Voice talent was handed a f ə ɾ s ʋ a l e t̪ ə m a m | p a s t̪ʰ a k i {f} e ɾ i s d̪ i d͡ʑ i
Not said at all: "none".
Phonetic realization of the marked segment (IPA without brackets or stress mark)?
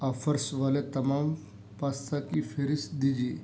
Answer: f